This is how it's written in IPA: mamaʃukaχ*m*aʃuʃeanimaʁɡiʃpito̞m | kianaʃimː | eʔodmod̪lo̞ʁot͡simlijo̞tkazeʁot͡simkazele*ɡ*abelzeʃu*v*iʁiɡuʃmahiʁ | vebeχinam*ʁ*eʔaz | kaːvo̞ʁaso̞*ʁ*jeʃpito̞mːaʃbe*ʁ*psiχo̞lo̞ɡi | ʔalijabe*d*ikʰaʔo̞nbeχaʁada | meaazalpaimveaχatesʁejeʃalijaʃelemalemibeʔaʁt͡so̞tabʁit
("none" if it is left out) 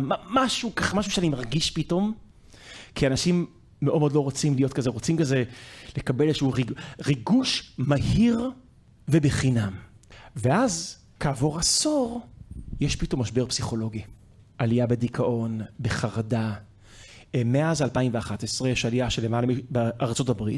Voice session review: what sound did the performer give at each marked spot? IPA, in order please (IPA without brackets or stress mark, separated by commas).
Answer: m, k, ʁ, v, ʁ, ʁ, d